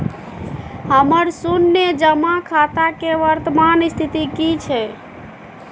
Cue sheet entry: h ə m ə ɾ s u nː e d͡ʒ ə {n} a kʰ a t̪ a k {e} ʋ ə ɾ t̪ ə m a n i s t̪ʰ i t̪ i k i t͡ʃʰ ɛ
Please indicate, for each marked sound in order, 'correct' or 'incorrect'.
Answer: incorrect, correct

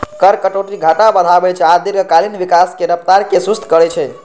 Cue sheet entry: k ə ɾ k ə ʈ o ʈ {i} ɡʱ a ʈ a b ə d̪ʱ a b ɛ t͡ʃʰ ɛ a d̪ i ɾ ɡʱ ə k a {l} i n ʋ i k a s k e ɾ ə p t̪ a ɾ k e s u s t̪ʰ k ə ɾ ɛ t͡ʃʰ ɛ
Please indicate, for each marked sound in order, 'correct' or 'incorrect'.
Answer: correct, correct

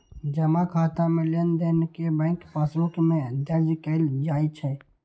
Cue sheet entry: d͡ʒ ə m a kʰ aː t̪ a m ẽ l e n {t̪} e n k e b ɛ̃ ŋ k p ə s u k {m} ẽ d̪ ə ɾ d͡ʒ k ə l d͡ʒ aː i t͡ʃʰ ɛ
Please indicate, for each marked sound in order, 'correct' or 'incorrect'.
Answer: incorrect, correct

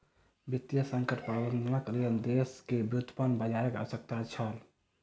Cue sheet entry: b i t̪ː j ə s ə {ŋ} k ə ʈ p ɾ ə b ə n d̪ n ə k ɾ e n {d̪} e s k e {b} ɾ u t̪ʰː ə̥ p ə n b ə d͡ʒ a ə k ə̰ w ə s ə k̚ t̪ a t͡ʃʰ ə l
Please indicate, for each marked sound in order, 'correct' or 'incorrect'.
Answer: correct, correct, correct

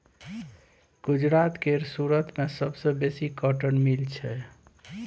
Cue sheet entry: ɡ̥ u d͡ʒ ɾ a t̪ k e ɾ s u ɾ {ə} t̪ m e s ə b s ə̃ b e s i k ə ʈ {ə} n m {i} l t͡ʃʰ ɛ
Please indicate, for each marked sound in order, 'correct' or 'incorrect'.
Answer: correct, correct, correct

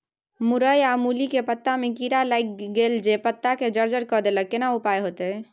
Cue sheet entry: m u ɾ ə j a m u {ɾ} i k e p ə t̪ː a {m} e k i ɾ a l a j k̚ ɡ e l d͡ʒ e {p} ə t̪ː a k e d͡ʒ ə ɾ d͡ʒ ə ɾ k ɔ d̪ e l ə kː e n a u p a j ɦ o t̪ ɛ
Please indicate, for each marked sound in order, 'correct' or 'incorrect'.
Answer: incorrect, correct, correct

